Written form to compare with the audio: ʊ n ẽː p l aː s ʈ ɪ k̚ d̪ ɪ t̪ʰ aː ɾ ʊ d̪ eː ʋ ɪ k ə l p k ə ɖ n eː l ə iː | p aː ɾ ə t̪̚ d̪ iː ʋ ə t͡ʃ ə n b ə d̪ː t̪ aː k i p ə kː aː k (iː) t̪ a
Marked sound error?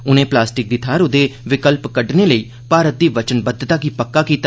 no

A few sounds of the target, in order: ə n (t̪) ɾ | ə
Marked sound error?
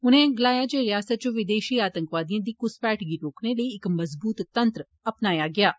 no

